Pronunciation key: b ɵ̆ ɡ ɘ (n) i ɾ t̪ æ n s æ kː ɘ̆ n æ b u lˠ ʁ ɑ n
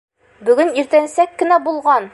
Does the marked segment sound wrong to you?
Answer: no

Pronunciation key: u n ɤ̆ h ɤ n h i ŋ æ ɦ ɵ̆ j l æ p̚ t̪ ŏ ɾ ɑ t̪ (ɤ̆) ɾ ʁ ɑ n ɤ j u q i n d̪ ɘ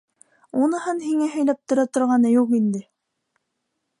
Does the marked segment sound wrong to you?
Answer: yes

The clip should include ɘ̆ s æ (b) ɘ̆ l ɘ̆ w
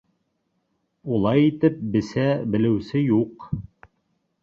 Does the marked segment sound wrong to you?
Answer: no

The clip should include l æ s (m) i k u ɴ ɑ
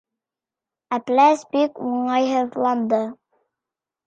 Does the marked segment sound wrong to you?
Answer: yes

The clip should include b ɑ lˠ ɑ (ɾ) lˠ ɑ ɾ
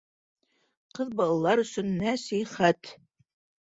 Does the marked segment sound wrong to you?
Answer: yes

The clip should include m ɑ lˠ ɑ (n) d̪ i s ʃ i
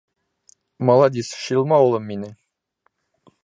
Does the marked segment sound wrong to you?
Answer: yes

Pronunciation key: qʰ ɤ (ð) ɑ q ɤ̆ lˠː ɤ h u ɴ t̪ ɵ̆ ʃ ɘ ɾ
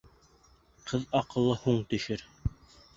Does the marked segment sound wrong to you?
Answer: no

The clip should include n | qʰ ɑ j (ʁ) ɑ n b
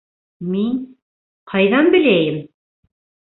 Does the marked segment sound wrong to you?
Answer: yes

